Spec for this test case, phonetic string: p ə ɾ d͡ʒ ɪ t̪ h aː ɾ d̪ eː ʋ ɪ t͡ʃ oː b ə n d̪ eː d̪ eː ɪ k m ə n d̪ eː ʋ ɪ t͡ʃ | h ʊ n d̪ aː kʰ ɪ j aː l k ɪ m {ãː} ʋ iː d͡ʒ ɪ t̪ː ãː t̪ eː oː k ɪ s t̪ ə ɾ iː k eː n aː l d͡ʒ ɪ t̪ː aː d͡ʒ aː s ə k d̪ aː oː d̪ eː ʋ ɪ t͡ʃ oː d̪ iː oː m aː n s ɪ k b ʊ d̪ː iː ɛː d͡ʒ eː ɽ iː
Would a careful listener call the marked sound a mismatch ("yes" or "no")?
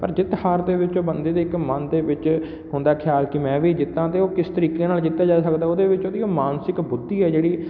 yes